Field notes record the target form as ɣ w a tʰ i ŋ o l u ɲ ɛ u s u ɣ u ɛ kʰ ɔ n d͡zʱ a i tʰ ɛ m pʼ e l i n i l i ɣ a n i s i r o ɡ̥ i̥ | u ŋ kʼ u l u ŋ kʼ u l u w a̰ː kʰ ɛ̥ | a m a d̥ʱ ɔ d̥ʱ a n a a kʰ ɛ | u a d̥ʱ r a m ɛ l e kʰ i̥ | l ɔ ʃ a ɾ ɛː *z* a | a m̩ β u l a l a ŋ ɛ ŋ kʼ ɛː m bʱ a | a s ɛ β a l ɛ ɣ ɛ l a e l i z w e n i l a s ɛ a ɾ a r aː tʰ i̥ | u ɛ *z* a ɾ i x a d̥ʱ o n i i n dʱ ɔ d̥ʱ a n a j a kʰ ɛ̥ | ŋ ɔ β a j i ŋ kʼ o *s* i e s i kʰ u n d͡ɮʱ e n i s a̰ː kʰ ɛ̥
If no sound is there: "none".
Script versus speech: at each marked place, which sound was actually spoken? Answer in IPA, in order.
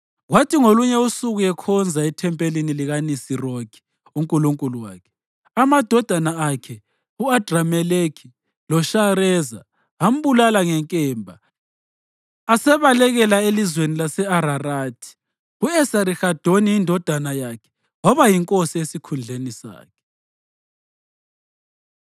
z, s, s

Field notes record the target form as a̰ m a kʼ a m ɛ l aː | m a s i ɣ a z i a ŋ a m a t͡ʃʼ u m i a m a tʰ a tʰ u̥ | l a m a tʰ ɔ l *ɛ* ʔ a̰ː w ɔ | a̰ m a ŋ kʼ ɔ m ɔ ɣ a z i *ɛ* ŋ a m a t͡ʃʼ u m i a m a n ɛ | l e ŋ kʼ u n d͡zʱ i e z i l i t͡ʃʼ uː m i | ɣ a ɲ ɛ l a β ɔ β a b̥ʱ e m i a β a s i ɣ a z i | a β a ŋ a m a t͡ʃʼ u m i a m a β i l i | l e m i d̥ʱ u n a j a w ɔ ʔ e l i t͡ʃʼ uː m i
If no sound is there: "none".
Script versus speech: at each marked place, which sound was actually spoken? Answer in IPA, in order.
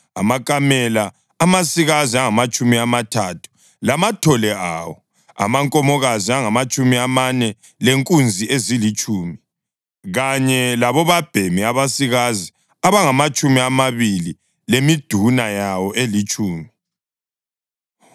ɛ, a

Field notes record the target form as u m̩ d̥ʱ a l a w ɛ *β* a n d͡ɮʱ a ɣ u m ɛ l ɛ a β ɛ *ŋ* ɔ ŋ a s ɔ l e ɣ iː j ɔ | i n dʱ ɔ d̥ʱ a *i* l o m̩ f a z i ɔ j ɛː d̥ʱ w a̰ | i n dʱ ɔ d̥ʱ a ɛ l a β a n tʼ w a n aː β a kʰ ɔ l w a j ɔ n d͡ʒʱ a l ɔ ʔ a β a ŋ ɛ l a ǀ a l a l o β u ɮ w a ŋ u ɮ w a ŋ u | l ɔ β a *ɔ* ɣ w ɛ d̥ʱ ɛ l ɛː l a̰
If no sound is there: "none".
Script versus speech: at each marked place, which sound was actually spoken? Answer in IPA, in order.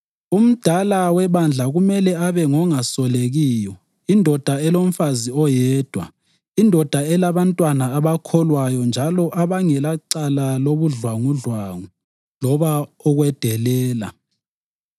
β, ŋ, ɛ, ɔ

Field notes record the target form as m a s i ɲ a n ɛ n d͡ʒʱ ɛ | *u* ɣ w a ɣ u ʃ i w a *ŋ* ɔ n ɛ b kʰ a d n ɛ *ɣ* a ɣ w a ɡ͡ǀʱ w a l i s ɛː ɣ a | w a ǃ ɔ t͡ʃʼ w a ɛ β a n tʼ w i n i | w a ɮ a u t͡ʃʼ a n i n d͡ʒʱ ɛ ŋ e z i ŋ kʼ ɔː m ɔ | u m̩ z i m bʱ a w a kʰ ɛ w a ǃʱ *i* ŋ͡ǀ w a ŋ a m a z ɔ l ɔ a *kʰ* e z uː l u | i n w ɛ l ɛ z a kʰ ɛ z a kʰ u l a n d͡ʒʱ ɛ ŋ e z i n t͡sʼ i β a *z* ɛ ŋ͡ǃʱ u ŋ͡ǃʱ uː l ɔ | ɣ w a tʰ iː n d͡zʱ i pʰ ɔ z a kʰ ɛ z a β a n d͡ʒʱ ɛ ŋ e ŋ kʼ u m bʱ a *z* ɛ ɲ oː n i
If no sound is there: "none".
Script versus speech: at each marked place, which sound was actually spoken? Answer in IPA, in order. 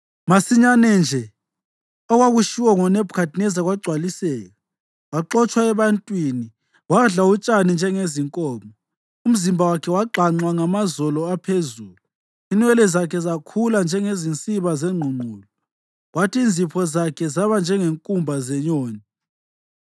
ɔ, ŋ, z, a, pʰ, z, z

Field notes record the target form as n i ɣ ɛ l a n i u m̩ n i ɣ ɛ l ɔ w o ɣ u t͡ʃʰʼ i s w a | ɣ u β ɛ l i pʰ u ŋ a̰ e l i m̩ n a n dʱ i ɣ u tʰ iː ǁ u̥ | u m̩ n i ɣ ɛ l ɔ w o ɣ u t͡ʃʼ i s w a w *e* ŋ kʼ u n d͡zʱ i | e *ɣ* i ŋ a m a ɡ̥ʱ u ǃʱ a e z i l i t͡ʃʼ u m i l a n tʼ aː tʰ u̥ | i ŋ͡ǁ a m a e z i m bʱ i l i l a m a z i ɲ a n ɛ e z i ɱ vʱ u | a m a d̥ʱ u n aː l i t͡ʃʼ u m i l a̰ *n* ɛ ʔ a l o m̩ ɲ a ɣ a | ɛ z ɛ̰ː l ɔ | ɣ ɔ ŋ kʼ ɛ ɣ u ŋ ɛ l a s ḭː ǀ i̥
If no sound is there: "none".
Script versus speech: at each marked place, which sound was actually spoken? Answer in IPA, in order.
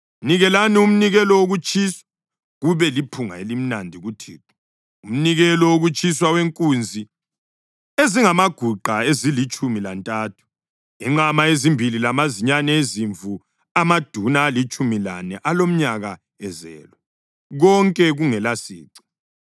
e, z, n

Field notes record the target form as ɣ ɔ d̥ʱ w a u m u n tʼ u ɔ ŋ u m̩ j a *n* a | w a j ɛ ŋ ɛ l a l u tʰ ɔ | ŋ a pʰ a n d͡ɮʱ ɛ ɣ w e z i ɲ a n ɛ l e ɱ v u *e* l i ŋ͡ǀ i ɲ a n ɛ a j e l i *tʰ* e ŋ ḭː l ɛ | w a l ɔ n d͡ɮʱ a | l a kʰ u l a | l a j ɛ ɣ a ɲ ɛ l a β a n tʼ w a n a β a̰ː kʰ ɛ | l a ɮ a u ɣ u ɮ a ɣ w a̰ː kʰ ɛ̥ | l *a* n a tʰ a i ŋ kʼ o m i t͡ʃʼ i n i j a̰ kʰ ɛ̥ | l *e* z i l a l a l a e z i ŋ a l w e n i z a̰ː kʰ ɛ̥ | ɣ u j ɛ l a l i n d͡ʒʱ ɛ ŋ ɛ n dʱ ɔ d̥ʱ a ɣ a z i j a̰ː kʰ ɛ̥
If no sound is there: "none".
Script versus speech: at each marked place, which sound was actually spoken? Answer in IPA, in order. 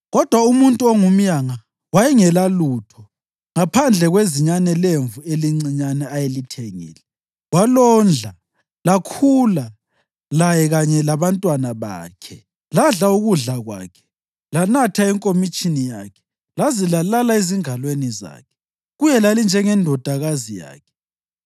ŋ, e, tʰ, a, a

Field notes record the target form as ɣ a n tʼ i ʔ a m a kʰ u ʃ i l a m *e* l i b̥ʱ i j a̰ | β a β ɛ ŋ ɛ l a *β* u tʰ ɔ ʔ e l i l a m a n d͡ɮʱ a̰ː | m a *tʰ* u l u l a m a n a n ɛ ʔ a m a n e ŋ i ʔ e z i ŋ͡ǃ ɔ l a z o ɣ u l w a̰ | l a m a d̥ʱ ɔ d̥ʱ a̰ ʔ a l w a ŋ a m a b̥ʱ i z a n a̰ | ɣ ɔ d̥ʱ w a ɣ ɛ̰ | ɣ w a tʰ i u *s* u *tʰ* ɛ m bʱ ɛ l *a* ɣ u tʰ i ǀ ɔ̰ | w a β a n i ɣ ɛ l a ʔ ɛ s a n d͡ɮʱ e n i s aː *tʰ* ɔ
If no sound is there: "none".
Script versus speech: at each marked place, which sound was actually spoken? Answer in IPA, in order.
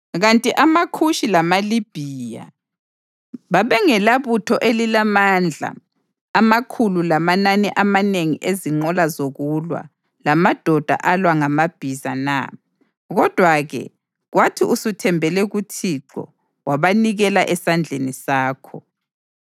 a, β, kʰ, s, tʰ, ɛ, kʰ

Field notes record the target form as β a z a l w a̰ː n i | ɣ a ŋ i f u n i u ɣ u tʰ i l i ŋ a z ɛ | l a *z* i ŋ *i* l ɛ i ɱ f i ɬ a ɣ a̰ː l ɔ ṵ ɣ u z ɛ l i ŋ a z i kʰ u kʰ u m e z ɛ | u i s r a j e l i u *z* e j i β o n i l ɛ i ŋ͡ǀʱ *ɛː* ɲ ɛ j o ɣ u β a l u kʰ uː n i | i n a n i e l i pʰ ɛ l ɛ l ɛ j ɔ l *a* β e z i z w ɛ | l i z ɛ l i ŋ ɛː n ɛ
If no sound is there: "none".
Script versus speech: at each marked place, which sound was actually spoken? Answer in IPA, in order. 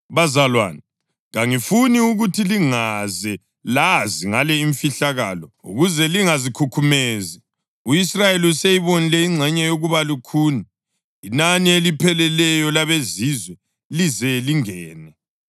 z, a, s, ɛ, a

